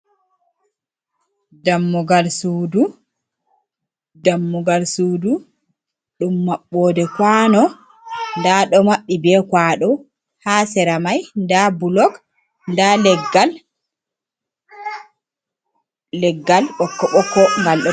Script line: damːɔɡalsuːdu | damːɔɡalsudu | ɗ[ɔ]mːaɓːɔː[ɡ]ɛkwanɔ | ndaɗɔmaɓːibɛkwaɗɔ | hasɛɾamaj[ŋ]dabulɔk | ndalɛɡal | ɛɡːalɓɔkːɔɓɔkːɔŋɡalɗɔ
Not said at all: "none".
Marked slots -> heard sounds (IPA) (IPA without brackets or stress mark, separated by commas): u, d, n